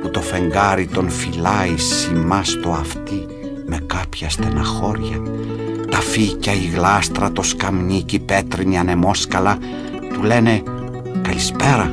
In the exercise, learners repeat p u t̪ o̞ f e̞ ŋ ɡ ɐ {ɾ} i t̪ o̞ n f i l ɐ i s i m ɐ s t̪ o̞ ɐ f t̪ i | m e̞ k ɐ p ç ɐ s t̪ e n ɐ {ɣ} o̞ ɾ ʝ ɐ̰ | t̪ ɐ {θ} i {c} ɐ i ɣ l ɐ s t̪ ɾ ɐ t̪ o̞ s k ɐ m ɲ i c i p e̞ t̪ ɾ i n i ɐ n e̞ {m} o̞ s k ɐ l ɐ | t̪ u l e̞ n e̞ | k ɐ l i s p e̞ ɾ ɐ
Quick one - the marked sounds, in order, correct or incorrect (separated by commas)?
correct, incorrect, incorrect, correct, correct